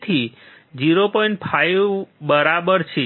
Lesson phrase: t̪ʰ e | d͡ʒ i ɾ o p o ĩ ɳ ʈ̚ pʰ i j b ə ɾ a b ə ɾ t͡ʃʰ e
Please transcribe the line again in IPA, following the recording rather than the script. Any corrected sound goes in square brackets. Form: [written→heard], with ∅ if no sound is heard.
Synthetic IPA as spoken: t̪ʰ [e→i] | d͡ʒ i ɾ o p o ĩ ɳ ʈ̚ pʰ [i→a] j b ə ɾ a b ə ɾ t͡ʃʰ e

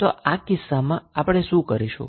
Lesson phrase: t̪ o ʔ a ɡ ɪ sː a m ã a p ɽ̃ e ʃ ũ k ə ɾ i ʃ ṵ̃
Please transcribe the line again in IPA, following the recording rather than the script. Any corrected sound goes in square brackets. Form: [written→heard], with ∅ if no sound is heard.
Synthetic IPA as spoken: t̪ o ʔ a [ɡ→k] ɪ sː a m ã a p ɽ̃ e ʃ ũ k ə ɾ i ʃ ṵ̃

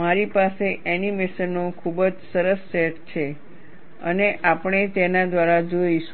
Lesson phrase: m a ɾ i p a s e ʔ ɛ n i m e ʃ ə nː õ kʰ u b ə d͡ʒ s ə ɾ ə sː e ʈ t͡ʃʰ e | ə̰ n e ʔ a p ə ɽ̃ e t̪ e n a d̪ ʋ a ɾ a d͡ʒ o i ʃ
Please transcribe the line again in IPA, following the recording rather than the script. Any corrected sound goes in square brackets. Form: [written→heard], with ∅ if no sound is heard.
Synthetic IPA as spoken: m a ɾ i p a s e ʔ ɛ n i m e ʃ ə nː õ kʰ u b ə d͡ʒ s ə ɾ ə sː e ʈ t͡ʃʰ e | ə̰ n e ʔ a p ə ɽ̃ e t̪ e n a d̪ ʋ a ɾ a d͡ʒ o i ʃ

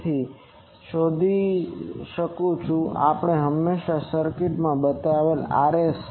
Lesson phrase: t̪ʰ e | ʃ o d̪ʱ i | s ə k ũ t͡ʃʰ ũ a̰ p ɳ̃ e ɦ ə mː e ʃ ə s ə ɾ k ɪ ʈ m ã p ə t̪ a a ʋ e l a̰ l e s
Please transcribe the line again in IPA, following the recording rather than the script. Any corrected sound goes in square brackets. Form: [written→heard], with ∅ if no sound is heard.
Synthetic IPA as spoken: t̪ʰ [e→i] | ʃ o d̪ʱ i | [s→ʃ] ə k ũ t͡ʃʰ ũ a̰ p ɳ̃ e ɦ ə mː e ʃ [ə→a] s ə ɾ k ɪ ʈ m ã [p→b] ə t̪ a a ʋ e l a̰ [l→ɾ] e s

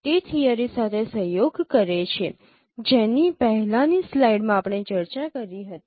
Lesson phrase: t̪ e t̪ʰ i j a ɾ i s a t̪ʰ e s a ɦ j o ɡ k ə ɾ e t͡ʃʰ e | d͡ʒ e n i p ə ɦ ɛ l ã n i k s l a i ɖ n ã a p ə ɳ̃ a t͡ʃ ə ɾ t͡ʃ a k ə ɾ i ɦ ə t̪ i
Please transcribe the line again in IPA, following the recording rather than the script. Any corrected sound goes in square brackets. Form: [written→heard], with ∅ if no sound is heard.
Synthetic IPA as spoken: t̪ e t̪ʰ i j a ɾ i s a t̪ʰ e s [a→ə] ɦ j o ɡ k ə ɾ e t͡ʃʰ e | d͡ʒ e n i p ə ɦ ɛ l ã n i [k→∅] s l a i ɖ [n→m] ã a p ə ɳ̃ [a→e] t͡ʃ ə ɾ t͡ʃ a k ə ɾ i ɦ ə t̪ i

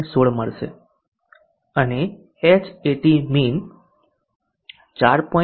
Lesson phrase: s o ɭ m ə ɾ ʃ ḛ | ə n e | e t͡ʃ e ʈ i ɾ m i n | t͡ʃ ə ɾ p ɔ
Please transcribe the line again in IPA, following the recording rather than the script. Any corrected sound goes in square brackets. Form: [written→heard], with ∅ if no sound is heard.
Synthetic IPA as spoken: s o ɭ m ə [ɾ→ɭ] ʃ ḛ | ə n e | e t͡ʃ e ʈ i [ɾ→∅] m i n | t͡ʃ [ə→a] ɾ p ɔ

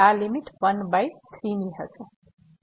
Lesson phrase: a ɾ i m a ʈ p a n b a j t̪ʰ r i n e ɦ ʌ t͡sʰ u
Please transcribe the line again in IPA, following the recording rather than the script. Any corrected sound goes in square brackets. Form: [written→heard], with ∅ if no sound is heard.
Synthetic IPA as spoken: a [ɾ→l] i m [a→i] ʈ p [a→ʌ] n b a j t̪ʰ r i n [e→i] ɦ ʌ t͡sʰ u

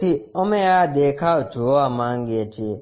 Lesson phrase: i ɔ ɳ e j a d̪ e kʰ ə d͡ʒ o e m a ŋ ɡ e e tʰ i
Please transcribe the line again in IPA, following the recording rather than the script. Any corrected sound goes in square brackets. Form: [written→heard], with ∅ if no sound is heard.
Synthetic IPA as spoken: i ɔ [ɳ→m] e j a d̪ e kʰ [ə→a] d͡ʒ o [e→a] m a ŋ ɡ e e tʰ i

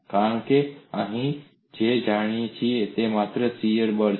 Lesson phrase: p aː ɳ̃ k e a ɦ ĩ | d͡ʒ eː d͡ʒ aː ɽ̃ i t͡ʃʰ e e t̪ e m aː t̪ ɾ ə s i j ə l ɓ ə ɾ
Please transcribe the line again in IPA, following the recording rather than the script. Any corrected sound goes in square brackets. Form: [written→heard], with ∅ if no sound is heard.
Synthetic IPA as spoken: [p→k] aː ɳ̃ k e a ɦ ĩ | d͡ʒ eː d͡ʒ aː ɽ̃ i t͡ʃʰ [e→i] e t̪ e m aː t̪ ɾ ə s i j ə [l→ɾ] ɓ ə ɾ

